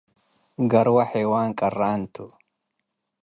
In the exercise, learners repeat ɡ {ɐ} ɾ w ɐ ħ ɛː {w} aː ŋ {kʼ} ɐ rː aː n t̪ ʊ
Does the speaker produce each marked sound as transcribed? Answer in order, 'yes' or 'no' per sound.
yes, yes, yes

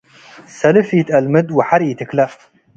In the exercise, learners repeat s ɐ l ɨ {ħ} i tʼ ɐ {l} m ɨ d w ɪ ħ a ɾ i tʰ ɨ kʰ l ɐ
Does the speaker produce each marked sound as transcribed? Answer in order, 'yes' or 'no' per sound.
no, yes

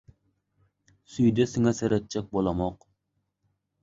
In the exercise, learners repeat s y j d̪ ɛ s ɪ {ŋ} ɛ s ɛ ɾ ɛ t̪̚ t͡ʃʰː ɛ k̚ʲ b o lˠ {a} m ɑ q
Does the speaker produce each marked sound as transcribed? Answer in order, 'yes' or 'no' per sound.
yes, no

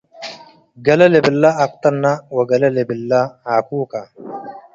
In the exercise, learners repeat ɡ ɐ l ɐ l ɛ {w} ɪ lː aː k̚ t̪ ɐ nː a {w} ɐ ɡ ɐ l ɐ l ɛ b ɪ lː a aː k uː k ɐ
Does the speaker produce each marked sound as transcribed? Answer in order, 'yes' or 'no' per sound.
no, yes

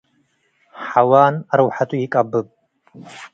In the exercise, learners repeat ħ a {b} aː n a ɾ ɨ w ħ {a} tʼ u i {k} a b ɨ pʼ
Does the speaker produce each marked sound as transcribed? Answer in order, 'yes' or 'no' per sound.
no, yes, no

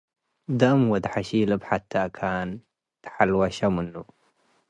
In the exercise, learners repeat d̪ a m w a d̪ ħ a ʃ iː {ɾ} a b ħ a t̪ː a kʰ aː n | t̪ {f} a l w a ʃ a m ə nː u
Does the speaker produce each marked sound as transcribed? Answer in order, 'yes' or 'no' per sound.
no, no

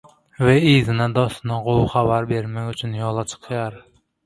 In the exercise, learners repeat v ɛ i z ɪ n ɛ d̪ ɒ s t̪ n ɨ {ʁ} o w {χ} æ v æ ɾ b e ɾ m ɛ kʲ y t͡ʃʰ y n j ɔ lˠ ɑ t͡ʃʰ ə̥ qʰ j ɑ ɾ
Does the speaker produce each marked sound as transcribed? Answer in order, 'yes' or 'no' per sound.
yes, yes

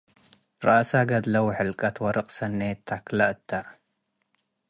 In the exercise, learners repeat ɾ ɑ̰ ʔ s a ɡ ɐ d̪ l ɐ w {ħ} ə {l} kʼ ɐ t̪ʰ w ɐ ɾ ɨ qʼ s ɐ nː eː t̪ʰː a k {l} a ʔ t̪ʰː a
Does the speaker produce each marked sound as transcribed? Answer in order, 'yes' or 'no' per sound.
yes, yes, yes

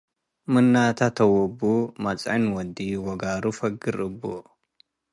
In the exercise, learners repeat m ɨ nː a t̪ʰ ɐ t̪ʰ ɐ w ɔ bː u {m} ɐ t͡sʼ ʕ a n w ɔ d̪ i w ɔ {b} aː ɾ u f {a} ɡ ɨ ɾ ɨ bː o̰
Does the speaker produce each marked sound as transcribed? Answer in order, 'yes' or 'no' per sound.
yes, no, no

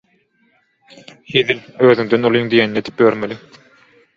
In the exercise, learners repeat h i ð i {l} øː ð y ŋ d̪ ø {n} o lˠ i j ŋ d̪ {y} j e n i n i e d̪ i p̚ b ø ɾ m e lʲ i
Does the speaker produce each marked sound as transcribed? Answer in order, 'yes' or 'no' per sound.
yes, yes, no

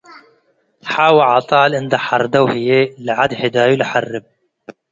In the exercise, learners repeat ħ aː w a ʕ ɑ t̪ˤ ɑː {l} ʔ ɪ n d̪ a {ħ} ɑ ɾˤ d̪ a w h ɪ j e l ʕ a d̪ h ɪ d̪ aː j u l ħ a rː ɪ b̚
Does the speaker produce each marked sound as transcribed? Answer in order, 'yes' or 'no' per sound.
yes, yes

